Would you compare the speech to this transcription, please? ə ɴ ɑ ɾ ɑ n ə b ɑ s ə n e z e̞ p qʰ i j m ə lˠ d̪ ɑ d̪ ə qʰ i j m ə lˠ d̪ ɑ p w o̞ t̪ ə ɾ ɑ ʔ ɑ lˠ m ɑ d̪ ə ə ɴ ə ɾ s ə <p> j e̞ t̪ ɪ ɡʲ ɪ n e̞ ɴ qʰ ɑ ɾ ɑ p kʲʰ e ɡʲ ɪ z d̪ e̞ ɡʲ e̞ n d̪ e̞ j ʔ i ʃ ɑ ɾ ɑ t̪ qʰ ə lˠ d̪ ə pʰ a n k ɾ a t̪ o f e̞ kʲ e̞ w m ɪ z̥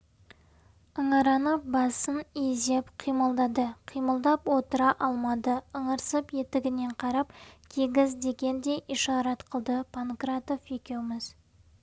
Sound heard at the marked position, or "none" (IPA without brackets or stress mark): p